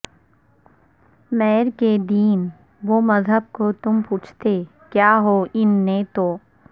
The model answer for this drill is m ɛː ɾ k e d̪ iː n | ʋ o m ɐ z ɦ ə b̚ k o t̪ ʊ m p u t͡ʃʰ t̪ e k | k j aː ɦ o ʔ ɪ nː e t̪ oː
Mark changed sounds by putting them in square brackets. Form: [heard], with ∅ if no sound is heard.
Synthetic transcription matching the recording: m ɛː ɾ k e d̪ iː n | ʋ o m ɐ z ɦ ə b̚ k o t̪ ʊ m p [uː] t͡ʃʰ t̪ e [∅] | k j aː ɦ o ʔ ɪ nː e t̪ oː